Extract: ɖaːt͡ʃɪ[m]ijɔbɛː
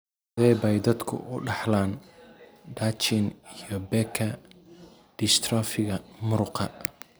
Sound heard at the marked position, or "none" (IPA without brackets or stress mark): n